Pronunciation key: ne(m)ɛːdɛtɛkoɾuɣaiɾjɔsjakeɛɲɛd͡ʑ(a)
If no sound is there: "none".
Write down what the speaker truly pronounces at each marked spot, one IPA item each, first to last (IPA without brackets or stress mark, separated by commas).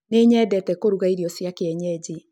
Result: ɲ, i